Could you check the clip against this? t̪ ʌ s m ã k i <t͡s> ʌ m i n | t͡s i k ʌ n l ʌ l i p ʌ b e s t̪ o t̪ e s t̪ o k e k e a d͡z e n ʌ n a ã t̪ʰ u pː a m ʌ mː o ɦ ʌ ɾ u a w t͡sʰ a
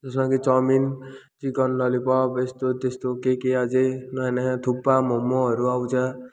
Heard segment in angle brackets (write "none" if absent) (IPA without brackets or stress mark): t͡s